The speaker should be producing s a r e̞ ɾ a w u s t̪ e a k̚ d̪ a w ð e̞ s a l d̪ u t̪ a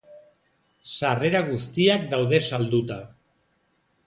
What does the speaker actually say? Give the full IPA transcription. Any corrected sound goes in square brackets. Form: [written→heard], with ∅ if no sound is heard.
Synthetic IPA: s a r e̞ ɾ a [w→ɣ] u s t̪ [e→i] a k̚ d̪ a w ð e̞ s a l d̪ u t̪ a